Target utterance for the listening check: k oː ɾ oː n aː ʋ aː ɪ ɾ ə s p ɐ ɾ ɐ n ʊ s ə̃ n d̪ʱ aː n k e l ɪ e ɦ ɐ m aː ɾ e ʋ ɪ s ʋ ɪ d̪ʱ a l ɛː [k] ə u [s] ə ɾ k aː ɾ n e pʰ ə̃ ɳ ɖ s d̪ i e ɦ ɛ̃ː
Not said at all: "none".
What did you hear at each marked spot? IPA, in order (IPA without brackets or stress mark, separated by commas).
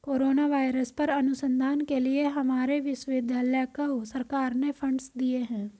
k, s